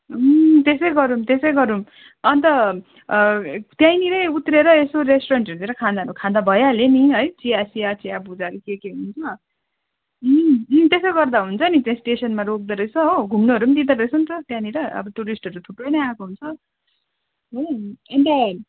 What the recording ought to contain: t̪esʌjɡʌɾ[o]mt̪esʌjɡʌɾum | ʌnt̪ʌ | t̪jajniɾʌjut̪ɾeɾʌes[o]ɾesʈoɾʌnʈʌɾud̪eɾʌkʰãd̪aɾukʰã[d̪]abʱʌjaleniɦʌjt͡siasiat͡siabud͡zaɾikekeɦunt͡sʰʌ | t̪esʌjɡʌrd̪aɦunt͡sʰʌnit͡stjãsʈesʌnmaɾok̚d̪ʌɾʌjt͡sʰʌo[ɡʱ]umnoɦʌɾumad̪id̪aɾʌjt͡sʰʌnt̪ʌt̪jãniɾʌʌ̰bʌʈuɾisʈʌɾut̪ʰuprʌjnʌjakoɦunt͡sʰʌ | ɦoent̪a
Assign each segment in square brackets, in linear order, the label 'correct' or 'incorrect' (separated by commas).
incorrect, correct, correct, correct